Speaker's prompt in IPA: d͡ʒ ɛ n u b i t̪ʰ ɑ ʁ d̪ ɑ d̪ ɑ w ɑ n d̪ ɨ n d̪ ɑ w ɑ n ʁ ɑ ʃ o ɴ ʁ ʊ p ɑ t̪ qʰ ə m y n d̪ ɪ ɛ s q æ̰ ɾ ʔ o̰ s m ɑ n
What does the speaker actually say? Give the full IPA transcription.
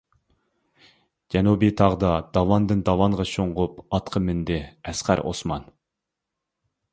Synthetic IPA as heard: d͡ʒ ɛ n u b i t̪ʰ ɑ ʁ d̪ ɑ d̪ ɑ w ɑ n d̪ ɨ n d̪ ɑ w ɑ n ʁ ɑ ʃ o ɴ ʁ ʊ p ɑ t̪ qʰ ə m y n d̪ ɪ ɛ s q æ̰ ɾ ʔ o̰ s m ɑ n

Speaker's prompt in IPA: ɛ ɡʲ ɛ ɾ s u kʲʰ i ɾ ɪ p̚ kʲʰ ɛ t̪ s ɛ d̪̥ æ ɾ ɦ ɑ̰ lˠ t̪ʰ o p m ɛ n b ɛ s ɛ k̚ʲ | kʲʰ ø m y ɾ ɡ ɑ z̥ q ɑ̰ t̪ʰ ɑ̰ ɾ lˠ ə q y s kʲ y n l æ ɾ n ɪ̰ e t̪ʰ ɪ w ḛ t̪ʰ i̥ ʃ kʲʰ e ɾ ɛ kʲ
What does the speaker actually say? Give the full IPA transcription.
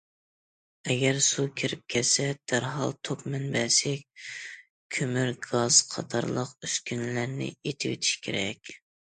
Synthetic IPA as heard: ɛ ɡʲ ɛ ɾ s u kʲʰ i ɾ ɪ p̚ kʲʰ ɛ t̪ s ɛ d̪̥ æ ɾ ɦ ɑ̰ lˠ t̪ʰ o p m ɛ n b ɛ s ɛ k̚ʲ | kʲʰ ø m y ɾ ɡ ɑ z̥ qʰ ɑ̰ t̪ʰ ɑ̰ ɾ lˠ ə q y s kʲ y n l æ ɾ n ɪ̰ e t̪ʰ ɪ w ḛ t̪ʰ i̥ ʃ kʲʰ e ɾ ɛ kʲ

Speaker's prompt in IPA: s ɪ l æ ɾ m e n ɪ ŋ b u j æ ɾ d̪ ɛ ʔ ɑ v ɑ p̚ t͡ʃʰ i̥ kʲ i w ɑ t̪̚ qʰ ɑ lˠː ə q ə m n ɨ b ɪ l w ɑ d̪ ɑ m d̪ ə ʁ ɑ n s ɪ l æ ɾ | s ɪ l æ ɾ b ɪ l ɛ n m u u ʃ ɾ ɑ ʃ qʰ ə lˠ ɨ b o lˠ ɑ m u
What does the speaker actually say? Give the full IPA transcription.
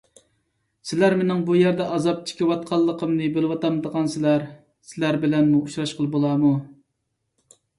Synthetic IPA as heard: s ɪ l æ ɾ m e n ɪ ŋ b u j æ ɾ d̪ ɛ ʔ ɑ z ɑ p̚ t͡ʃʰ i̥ kʲ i w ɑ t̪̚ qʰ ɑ lˠː ə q ə m n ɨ b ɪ l w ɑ t̪ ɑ m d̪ ə ʁ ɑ n s ɪ l æ ɾ | s ɪ l æ ɾ b ɪ l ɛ n m u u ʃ ɾ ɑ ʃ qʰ ə lˠ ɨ b o lˠ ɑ m u

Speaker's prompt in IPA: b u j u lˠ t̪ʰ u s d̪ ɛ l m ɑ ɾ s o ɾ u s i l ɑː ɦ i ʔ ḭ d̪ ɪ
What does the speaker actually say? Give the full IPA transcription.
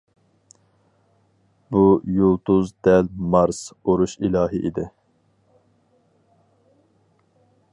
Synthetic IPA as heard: b u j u lˠ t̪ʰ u z d̪ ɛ l m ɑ ɾ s o ɾ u ʃ i l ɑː ɦ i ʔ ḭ d̪ ɪ

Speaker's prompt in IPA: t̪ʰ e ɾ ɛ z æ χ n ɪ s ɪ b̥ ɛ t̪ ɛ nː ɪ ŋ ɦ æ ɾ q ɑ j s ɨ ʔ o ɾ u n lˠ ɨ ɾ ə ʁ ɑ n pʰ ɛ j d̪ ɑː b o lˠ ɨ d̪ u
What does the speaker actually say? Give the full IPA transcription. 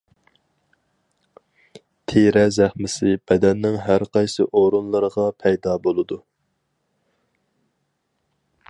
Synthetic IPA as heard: t̪ʰ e ɾ ɛ z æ χ m ɪ s ɪ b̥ ɛ d̪ ɛ nː ɪ ŋ ɦ æ ɾ q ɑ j s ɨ ʔ o ɾ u n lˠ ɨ ɾ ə ʁ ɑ pʰ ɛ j d̪ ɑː b o lˠ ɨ d̪ u

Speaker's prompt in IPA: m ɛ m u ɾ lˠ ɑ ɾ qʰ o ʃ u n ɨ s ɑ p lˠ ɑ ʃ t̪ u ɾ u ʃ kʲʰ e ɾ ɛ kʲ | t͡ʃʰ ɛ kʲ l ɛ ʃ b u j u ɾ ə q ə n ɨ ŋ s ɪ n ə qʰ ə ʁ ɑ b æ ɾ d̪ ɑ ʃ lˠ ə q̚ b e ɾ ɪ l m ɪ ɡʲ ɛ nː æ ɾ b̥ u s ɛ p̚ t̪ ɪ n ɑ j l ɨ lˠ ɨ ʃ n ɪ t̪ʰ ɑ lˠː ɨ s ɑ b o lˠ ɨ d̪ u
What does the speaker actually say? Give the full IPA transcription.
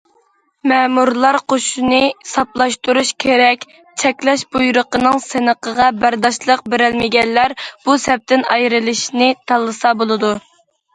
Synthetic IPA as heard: m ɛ m u ɾ lˠ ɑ ɾ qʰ o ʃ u n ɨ s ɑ p lˠ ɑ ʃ t̪ u ɾ u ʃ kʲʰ e ɾ ɛ kʲ | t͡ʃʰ ɛ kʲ l ɛ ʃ b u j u ɾ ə q ə n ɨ ŋ s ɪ n ə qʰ ə ʁ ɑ b æ ɾ d̪ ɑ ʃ lˠ ə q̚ b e ɾ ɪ l m ɪ ɡʲ ɛ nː æ ɾ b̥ u s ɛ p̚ t̪ ɪ n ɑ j ɾ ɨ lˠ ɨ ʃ n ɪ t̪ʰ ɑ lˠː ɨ s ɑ b o lˠ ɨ d̪ u

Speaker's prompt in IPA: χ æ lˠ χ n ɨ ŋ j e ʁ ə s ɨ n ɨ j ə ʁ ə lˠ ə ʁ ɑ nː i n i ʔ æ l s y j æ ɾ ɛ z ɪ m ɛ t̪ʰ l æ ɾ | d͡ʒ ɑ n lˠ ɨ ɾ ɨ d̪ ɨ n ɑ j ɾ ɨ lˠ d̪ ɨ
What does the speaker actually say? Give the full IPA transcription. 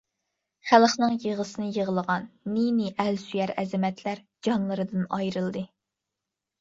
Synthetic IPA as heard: χ æ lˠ χ n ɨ ŋ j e ʁ ə s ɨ n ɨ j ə ʁ ə lˠ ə ʁ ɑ nː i n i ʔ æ l s y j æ ɾ ɛ z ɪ m ɛ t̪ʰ l æ ɾ | d͡ʒ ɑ n lˠ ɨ ɾ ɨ d̪ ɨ n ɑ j ɾ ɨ lˠ d̪ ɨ

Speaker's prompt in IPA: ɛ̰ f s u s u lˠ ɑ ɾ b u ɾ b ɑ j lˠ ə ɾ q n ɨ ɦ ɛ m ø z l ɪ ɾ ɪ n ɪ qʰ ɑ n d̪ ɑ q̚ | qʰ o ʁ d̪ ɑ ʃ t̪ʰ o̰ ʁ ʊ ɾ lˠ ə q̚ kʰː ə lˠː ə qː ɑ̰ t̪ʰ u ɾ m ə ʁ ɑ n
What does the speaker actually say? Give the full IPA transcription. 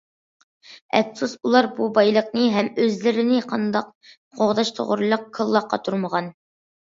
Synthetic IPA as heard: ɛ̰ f s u s u lˠ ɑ ɾ b u b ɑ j lˠ ə q n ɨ ɦ ɛ m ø z l ɪ ɾ ɪ n ɪ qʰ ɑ n d̪ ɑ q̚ | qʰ o ʁ d̪ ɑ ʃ t̪ʰ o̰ ʁ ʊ ɾ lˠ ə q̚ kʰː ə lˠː ɑ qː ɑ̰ t̪ʰ u ɾ m ə ʁ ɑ n

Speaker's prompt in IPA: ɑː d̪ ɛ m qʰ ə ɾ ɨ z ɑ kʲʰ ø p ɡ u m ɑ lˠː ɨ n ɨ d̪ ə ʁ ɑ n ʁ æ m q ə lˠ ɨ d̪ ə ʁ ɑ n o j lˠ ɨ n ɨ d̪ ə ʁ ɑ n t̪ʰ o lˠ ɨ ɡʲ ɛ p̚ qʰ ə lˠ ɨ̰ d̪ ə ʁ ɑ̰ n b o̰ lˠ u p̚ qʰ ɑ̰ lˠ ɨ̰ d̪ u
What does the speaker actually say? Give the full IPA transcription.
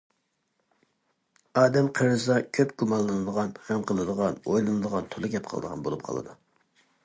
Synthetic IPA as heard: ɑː d̪ ɛ m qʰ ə ɾ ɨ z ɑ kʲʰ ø p ɡ u m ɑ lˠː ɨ n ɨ d̪ ə ʁ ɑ n χ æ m q ə lˠ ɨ d̪ ə ʁ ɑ n o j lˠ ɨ n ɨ d̪ ə ʁ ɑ n t̪ʰ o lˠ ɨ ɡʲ ɛ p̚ qʰ ə lˠ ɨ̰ d̪ ə ʁ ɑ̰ n b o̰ lˠ u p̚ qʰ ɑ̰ lˠ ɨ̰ d̪ u

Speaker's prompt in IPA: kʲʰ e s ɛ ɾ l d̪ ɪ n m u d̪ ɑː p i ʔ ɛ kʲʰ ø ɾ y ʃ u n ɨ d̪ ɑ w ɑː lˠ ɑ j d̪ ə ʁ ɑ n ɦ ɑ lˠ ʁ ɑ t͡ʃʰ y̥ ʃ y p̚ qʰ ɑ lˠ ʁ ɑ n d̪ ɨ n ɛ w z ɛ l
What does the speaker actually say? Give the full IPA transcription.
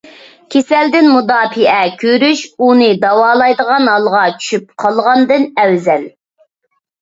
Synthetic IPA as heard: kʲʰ e s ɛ l d̪ ɪ n m u d̪ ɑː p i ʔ ɛ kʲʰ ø ɾ y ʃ u n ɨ d̪ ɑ w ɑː lˠ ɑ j d̪ ə ʁ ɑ n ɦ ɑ lˠ ʁ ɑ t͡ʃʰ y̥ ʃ y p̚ qʰ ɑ lˠ ʁ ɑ n d̪ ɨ n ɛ w z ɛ l

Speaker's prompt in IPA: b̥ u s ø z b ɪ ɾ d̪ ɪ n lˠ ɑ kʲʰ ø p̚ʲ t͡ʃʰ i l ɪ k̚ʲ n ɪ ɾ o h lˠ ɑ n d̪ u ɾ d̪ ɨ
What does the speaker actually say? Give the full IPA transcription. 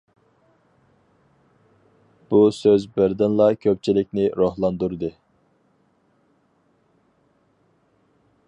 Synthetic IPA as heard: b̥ u s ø z b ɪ ɾ d̪ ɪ n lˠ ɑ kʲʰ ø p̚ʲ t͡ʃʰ i l ɪ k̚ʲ n ɪ ɾ o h lˠ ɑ n d̪ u ɾ d̪ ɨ

